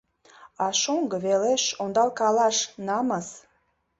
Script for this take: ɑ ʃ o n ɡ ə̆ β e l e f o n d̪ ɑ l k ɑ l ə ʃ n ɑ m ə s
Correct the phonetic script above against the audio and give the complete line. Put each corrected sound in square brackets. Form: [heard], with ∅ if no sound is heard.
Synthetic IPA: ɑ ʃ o [ŋ] ɡ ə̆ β e l e [ʃ] o n d̪ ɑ l k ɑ l [ɑ] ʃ n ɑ m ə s

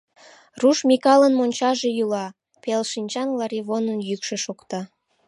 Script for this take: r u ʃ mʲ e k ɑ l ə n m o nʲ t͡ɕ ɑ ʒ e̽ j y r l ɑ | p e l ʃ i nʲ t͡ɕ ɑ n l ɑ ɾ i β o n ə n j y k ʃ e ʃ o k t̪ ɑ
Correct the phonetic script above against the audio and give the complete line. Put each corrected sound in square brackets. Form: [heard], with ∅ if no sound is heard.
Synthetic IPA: r u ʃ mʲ [i] k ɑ l ə n m o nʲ t͡ɕ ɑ ʒ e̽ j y [∅] l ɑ | p e l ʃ i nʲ t͡ɕ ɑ n l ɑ ɾ i β o n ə n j y k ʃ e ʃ o k t̪ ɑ

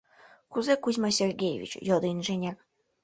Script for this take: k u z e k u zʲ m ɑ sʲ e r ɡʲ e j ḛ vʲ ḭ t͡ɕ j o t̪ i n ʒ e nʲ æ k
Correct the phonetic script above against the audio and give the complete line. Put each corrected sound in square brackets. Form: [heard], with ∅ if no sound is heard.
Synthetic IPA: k u z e k u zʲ m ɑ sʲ e r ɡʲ e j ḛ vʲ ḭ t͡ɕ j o [d̪] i n ʒ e nʲ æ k

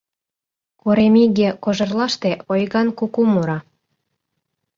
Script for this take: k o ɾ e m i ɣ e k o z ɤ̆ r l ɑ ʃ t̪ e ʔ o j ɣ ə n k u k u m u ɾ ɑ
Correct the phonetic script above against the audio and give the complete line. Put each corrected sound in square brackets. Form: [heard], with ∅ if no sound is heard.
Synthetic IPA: k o ɾ e m i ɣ e k o [ʒ] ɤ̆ r l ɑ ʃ t̪ e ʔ o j ɣ [ɑ] n k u k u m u ɾ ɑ

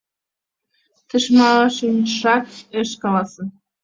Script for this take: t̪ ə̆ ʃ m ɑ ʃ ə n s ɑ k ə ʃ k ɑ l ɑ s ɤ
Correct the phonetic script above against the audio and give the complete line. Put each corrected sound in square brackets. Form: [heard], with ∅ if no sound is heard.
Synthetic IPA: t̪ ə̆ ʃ m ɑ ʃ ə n [ʃ] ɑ k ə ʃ k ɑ l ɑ s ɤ

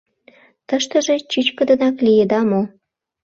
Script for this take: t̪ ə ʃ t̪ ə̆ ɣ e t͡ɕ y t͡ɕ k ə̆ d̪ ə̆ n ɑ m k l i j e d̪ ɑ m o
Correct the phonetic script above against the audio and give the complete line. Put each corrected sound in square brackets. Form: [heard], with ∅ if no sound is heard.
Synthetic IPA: t̪ ə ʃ t̪ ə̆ [ʒ] e t͡ɕ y t͡ɕ k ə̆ d̪ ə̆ n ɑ [∅] k l i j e d̪ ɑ m o

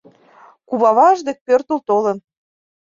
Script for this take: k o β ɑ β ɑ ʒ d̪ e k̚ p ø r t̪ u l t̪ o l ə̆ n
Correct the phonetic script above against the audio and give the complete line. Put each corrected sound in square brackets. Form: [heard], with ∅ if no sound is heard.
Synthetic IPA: k [u] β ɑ β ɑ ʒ d̪ e k̚ p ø r t̪ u l t̪ o l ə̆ n

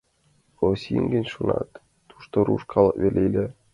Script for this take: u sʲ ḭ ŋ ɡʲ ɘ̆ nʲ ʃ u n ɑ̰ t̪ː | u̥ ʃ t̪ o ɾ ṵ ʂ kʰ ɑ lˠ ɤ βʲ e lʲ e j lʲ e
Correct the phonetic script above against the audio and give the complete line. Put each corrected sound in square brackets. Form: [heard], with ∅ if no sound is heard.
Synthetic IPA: [o] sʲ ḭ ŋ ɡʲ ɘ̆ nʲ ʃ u n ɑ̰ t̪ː | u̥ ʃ t̪ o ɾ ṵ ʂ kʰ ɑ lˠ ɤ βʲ e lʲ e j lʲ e

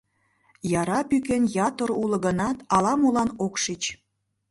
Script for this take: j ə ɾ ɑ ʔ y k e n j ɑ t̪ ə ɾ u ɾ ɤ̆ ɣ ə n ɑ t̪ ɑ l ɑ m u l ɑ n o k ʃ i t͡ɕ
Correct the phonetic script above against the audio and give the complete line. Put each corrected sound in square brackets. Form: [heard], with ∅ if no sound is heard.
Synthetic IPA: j [ɑ] ɾ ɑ [p] y k e n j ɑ t̪ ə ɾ u [l] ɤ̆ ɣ ə n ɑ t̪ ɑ l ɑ m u l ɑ n o k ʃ i t͡ɕ

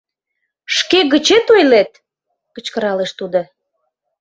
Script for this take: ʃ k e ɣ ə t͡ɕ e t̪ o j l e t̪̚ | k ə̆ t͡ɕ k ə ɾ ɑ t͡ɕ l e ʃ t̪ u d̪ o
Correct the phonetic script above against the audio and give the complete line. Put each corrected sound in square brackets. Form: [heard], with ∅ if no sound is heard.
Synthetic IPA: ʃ k e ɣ ə t͡ɕ e t̪ o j l e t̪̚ | k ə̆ t͡ɕ k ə ɾ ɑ [∅] l e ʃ t̪ u d̪ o

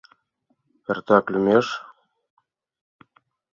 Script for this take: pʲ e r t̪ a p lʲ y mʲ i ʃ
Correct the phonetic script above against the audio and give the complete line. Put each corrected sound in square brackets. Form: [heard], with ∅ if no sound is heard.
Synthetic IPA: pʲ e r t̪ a [k] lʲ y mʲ [e] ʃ

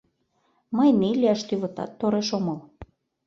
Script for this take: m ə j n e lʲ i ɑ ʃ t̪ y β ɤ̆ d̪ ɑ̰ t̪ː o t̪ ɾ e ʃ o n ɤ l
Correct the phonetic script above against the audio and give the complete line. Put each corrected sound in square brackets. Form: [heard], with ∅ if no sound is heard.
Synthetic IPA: m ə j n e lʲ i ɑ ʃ t̪ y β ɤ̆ [t̪] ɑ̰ t̪ː o [∅] ɾ e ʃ o [m] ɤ l

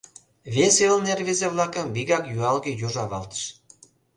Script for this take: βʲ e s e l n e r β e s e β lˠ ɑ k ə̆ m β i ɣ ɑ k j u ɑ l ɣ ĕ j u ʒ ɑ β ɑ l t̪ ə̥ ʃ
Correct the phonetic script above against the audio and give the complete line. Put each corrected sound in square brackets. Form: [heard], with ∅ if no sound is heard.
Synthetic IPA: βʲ e s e l n e r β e [z] e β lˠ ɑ k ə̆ m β i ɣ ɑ k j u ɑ l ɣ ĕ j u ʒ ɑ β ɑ l t̪ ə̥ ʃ

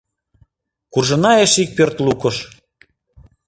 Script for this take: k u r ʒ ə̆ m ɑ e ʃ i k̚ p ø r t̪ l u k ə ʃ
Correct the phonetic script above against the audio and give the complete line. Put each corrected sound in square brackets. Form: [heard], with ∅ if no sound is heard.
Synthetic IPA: k u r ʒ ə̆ [n] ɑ e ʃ i k̚ p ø r t̪ l u k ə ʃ

